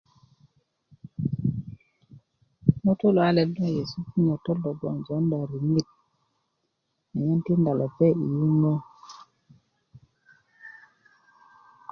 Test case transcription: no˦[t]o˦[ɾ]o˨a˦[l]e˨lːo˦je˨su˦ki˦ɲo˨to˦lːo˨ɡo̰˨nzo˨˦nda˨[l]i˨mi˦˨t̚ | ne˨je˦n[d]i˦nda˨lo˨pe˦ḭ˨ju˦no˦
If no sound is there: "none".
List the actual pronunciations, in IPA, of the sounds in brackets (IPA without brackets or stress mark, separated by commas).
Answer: t, l, l, ɾ, t